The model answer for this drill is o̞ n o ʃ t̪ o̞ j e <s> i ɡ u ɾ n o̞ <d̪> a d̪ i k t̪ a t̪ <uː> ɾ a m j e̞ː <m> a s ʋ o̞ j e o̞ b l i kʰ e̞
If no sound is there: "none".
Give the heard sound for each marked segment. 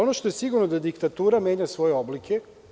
s, d̪, uː, ɲ

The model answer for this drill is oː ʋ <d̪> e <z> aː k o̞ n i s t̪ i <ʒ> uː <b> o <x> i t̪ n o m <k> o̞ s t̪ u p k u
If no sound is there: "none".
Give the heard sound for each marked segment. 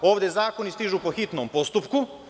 d̪, z, ʒ, p, x, p

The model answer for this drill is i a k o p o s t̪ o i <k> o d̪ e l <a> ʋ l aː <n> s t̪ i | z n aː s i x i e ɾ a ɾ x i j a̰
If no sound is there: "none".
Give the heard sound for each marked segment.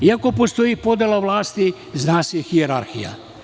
p, a, none

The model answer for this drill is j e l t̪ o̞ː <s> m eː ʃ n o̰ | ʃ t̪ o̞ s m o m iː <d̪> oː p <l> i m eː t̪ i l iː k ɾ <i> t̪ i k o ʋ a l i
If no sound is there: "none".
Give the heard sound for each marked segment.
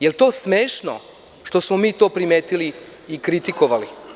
s, t̪, ɾ, i

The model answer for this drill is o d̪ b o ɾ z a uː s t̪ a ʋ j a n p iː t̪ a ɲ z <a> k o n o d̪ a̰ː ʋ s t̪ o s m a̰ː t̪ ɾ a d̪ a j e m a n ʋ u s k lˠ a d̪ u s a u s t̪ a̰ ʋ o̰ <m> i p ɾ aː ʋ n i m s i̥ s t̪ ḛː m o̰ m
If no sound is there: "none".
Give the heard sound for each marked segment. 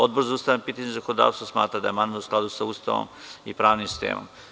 a, m

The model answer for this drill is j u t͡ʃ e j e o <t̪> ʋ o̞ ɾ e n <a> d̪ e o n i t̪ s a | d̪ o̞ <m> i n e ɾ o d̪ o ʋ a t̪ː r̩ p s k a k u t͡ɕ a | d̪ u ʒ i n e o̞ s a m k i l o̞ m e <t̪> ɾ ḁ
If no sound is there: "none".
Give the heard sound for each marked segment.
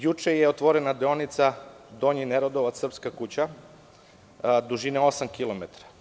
t̪, a, ɲ, t̪

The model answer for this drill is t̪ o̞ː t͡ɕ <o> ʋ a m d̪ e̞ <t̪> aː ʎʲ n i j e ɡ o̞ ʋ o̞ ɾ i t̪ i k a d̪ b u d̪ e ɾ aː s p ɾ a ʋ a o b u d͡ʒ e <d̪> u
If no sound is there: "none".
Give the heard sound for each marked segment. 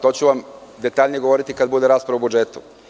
u, t̪, t̪

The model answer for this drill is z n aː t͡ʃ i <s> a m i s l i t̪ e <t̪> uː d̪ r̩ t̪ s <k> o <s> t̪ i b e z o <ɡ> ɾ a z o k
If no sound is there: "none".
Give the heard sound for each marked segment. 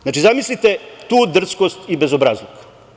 z, t̪, k, s, b

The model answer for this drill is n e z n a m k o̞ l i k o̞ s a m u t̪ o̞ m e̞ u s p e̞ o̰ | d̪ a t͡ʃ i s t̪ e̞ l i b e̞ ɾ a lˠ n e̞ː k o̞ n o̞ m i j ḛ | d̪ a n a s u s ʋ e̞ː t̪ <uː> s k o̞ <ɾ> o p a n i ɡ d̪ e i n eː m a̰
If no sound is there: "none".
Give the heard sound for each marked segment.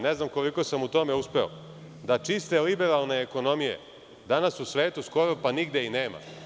u, ɾ

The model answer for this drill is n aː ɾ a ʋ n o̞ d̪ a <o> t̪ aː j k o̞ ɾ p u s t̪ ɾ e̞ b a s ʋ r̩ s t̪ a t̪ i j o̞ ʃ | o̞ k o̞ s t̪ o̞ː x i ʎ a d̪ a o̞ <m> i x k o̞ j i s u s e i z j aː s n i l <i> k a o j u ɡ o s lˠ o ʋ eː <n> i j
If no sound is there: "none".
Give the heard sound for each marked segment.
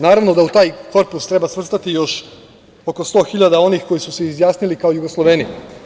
u, n, i, n

